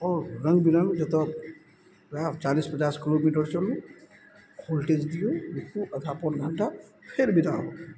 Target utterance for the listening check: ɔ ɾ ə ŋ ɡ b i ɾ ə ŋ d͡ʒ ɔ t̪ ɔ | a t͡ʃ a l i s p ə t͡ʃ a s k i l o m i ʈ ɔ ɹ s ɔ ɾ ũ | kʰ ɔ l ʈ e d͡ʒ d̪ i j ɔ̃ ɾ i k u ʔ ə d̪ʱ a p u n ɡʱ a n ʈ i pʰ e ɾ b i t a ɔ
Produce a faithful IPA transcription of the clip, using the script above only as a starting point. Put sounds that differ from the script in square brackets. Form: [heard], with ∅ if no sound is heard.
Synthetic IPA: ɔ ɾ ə ŋ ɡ b i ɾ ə ŋ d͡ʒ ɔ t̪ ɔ | a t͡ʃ a l i s p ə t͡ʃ a s k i l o m i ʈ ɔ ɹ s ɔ [l] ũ | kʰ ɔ l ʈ e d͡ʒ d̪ i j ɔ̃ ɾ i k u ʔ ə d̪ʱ a p [ɔ] n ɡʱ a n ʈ [a] pʰ e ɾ b i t a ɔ